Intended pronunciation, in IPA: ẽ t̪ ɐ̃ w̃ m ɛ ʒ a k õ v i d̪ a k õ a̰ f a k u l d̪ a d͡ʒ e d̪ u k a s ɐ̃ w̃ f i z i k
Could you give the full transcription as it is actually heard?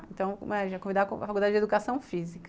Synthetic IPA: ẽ t̪ ɐ̃ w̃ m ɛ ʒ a k õ v i d̪ a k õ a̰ f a k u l d̪ a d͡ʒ e d̪ u k a s ɐ̃ w̃ f i z i k